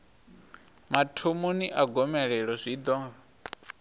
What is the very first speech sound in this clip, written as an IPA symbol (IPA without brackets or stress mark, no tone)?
m